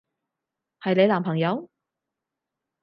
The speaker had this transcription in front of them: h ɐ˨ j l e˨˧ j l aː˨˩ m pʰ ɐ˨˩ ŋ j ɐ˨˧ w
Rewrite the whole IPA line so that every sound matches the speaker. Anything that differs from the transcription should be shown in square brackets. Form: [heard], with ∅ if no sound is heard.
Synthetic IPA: h ɐ˨ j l e˨˧ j l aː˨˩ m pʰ ɐ˨˩ ŋ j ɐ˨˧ w